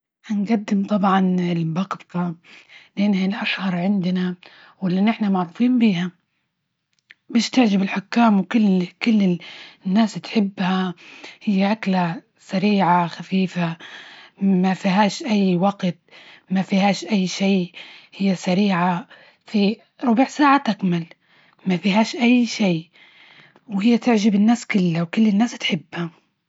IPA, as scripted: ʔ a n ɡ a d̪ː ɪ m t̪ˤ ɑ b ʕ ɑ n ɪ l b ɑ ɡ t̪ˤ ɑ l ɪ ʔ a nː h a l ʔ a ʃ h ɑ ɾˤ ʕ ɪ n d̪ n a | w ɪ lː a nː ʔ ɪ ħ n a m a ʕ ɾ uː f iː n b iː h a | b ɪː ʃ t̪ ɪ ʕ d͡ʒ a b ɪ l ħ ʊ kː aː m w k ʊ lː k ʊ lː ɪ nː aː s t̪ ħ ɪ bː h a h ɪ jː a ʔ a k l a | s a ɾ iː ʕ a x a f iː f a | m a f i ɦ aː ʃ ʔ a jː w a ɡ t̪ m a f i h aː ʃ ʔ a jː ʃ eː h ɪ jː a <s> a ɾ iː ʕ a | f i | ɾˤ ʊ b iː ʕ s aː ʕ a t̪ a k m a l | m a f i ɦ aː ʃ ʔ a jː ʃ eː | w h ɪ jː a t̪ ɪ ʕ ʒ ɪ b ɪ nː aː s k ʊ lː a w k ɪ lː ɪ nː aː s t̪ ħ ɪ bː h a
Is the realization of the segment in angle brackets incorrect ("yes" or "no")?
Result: no